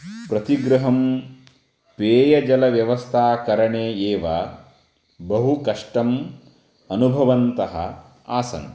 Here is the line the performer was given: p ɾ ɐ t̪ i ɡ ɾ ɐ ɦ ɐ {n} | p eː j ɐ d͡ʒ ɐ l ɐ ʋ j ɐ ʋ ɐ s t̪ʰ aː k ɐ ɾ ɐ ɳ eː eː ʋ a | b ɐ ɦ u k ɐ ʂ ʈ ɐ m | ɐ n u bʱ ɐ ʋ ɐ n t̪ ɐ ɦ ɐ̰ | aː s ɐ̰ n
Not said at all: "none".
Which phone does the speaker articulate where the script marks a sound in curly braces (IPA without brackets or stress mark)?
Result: m